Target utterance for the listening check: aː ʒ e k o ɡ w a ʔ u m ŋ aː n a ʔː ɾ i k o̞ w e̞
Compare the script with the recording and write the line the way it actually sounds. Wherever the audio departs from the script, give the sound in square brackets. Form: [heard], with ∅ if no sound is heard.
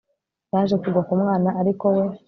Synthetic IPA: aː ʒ e k [u] ɡ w a [k] u m ŋ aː n a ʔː ɾ i k o̞ w e̞